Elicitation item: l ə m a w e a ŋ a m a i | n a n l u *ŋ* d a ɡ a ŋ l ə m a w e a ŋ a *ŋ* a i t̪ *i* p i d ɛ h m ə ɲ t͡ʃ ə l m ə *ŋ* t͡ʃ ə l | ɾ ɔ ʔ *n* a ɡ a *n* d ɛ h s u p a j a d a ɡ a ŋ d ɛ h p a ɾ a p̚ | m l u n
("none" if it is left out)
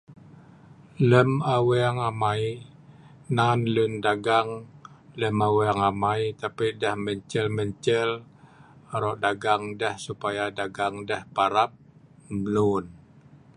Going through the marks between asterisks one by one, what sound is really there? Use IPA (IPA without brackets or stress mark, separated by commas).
n, m, a, ɲ, d, ŋ